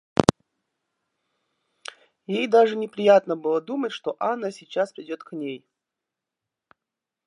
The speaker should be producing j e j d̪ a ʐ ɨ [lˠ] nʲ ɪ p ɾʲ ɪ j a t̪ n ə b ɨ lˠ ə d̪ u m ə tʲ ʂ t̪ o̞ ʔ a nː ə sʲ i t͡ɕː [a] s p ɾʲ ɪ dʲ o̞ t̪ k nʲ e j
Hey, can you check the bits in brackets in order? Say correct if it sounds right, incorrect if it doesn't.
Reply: incorrect: none, correct

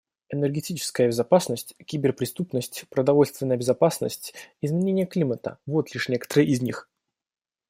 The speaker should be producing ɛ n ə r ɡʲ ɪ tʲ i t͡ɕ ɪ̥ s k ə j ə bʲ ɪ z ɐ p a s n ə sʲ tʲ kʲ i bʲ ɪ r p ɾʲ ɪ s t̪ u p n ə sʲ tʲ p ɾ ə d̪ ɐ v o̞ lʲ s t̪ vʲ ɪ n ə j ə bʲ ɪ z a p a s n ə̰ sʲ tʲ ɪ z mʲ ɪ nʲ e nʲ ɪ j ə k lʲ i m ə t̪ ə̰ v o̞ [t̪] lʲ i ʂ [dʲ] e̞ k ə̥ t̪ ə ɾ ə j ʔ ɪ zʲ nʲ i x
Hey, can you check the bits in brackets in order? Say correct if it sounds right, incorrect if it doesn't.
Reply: correct, incorrect: nʲ

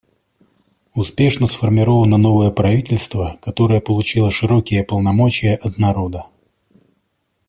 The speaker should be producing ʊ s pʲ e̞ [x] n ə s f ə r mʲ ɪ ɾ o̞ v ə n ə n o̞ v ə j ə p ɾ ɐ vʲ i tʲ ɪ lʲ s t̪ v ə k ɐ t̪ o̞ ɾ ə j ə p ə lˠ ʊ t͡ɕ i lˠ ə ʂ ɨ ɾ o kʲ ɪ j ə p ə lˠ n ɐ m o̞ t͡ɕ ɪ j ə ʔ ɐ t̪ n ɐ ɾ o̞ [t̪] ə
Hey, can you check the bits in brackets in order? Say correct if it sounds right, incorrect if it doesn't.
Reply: incorrect: ʂ, incorrect: d̪

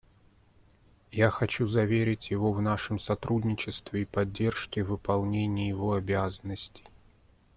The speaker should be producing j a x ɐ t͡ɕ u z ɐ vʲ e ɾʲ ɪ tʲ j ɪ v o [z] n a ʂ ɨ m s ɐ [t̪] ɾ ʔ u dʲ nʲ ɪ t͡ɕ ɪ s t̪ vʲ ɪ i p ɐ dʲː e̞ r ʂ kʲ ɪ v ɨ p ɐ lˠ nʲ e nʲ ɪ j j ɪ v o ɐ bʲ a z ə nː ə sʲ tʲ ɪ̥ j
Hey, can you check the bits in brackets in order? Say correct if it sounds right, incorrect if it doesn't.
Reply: incorrect: v, correct

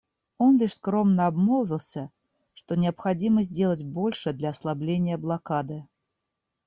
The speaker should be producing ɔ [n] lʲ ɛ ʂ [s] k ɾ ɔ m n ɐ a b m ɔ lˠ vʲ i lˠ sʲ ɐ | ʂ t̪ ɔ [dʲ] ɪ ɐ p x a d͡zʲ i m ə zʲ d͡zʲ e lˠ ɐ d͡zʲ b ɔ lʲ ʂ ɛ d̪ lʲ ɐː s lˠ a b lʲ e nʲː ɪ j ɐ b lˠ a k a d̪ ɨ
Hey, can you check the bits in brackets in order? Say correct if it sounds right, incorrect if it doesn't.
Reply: correct, correct, incorrect: nʲ

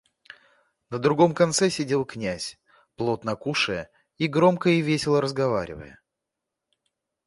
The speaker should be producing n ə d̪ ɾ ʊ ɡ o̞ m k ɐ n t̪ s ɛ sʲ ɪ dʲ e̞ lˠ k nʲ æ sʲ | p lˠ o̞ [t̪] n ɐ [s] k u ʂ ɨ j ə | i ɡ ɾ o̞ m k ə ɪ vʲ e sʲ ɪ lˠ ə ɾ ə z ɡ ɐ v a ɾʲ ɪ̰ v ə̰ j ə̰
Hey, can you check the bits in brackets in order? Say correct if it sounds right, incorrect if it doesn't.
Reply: correct, incorrect: none

